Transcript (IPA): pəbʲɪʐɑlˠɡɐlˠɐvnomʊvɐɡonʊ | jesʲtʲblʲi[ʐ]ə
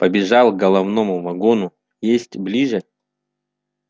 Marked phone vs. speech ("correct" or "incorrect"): correct